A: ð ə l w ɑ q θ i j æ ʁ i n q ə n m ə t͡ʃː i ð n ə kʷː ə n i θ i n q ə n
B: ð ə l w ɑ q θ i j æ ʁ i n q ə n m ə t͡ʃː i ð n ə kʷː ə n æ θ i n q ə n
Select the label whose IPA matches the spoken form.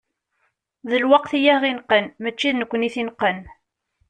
A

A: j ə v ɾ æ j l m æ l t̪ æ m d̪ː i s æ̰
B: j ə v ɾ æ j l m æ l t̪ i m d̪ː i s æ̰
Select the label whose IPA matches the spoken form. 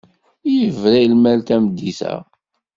A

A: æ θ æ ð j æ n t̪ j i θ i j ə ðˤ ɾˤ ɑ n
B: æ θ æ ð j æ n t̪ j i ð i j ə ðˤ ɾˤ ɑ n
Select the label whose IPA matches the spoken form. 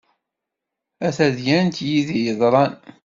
B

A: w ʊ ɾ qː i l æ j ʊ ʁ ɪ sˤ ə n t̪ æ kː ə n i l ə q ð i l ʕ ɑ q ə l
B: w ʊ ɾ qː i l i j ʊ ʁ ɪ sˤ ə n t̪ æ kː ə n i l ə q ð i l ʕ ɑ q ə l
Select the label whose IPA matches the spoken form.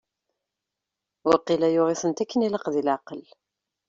A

